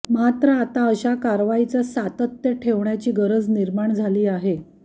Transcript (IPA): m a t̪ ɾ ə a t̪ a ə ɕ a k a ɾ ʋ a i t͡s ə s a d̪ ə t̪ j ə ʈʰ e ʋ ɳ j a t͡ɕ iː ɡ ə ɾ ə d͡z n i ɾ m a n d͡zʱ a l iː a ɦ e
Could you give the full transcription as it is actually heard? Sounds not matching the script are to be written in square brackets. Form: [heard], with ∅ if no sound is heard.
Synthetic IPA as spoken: m a t̪ ɾ ə a t̪ a ə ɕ a k a ɾ ʋ a i t͡s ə s a [t̪] ə t̪ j ə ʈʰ e ʋ ɳ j a t͡ɕ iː ɡ ə ɾ ə d͡z n i ɾ m a [ɳ] d͡zʱ a l iː a ɦ e